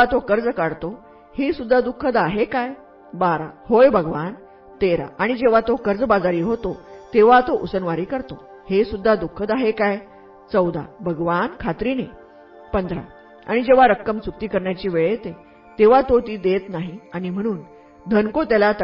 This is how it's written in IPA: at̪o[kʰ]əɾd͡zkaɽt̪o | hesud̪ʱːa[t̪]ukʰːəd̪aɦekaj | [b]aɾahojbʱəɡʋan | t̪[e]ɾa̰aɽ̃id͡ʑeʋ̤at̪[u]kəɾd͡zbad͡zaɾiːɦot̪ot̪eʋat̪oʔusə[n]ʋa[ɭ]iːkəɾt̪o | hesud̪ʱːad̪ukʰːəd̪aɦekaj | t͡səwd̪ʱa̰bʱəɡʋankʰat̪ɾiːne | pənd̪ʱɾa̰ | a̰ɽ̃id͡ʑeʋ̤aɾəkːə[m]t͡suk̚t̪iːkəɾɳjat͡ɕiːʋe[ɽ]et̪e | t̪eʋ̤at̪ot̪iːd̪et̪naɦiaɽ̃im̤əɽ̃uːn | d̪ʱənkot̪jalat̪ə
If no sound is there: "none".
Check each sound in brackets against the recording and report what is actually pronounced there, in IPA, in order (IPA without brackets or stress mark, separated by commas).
k, d̪, b, e, o, n, ɾ, m, ɭ